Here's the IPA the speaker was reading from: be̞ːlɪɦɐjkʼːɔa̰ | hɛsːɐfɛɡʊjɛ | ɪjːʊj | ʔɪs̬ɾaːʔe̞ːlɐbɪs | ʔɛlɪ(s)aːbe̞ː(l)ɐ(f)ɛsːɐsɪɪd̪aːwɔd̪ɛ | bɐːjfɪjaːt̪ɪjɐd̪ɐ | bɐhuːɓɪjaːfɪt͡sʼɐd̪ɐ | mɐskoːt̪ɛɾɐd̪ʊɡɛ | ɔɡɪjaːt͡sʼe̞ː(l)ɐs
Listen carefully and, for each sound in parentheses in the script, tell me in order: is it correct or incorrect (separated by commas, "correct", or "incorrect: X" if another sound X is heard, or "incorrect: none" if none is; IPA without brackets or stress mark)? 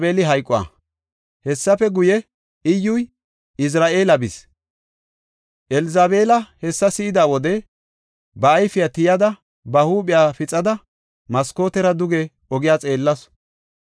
incorrect: z, correct, incorrect: h, incorrect: lː